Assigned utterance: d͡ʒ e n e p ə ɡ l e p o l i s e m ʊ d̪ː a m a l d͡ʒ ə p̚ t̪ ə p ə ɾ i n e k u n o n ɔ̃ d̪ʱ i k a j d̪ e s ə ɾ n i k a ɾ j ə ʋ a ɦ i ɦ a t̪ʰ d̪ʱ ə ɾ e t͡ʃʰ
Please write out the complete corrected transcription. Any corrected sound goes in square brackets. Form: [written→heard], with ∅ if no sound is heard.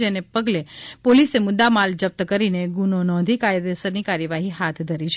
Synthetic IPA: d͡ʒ e n e p ə ɡ l e p o l i s e m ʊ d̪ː a m a l d͡ʒ ə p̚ t̪ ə [p→k] ə ɾ i n e [k→ɡ] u n o n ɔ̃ d̪ʱ i k a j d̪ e s ə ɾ n i k a ɾ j ə ʋ a ɦ i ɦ a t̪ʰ d̪ʱ ə ɾ [e→i] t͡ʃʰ